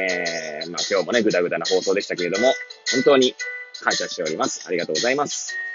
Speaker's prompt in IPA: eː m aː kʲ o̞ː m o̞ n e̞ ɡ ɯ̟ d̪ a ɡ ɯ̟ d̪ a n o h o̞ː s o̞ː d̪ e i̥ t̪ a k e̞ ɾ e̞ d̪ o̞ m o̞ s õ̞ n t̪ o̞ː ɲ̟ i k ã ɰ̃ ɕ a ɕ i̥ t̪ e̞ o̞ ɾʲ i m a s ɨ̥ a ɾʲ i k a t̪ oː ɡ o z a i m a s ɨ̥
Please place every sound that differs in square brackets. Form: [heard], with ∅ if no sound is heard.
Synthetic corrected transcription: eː m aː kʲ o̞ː m o̞ n e̞ ɡ ɯ̟ d̪ a ɡ ɯ̟ d̪ a n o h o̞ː s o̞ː d̪ e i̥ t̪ a k e̞ ɾ e̞ d̪ o̞ m o̞ [h] õ̞ n t̪ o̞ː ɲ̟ i k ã ɰ̃ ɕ a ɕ i̥ t̪ e̞ o̞ ɾʲ i m a s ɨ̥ a ɾʲ i [ɡ] a t̪ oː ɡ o z a i m a s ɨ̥